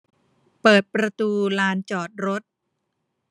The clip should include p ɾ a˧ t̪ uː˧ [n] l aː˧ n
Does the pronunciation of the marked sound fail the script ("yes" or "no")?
yes